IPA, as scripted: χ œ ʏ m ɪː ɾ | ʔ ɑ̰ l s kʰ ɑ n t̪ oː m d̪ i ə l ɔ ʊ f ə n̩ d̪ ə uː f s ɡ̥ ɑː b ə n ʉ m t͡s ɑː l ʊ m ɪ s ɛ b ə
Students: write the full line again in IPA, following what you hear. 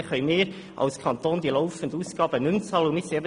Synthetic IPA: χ œ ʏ m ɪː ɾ | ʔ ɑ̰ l s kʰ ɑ n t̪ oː n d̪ i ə l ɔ ʊ f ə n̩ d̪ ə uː s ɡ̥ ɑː b ə n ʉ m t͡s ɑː l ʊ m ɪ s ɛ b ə